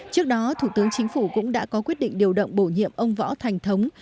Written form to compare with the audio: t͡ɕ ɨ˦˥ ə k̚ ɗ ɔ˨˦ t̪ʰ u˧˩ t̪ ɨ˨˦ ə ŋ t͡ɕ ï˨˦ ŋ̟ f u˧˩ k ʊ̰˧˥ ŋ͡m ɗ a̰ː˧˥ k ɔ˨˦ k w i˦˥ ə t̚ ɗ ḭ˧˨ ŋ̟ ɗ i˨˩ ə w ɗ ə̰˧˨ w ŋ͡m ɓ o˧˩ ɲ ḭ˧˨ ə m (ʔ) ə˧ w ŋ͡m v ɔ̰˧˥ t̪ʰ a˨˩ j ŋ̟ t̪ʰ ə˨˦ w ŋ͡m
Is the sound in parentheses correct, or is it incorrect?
correct